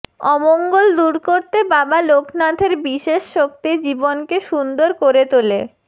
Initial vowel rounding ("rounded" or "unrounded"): rounded